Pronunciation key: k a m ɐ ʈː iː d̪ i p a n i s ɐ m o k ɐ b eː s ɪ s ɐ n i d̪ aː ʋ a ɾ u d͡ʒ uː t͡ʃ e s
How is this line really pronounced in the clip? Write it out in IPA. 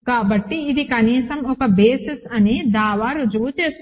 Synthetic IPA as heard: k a b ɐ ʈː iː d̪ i k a n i s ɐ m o k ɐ b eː s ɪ s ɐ n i d̪ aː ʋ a ɾ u d͡ʒ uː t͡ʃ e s